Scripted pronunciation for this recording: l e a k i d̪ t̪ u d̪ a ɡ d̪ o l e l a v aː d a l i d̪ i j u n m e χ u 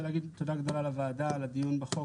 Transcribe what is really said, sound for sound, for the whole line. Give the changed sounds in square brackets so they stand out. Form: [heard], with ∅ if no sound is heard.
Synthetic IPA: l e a [ɡ] i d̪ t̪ [o] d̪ a ɡ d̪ o l [a] l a v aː d a l [a] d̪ i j u n [b] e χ [o]